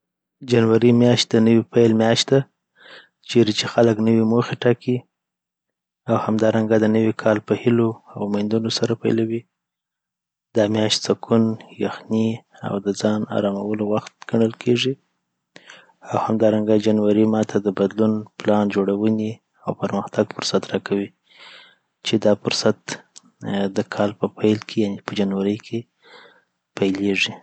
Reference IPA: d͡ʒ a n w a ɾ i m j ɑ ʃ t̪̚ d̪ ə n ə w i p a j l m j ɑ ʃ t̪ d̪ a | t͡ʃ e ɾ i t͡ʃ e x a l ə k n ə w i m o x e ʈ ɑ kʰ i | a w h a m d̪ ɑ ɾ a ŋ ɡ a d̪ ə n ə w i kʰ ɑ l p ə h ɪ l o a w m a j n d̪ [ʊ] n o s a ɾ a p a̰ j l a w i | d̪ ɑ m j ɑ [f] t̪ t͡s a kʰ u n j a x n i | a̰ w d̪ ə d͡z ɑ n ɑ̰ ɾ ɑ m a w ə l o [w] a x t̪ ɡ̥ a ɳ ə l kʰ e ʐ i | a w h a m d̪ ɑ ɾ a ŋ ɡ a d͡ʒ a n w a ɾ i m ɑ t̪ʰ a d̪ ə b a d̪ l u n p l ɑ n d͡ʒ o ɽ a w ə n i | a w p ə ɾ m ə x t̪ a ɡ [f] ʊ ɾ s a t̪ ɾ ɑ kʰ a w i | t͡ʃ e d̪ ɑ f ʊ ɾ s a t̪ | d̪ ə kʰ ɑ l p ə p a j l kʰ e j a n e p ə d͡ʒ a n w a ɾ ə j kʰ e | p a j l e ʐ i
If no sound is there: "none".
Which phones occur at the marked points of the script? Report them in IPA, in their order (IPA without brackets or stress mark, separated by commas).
u, ʃ, w, f